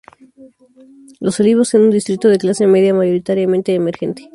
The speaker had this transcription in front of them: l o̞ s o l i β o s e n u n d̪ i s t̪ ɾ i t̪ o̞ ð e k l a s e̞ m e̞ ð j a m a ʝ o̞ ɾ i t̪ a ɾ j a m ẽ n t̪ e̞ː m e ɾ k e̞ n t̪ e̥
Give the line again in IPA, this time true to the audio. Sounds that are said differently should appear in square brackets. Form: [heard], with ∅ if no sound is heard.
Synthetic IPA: l o̞ s o l i β o s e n u n d̪ i s t̪ ɾ i t̪ o̞ ð e k l a s e̞ m e̞ ð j a m a ʝ o̞ ɾ i t̪ a ɾ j a m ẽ n t̪ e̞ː m e ɾ [x] e̞ n t̪ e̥